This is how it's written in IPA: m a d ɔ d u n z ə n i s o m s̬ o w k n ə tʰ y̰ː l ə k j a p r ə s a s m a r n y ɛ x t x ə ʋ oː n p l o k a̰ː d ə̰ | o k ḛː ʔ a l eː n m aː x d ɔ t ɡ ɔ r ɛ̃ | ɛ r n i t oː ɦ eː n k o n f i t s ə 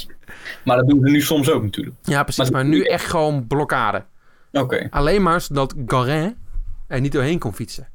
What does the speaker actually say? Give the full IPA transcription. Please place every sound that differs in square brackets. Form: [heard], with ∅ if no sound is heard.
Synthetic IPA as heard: m a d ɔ d u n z ə n [y] s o m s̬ o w k n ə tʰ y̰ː l ə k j a p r ə s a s m a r n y ɛ x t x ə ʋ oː n [b] l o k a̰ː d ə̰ | o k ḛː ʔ a l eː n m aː [s] d ɔ t ɡ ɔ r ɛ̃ | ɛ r n i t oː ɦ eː n k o n f i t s ə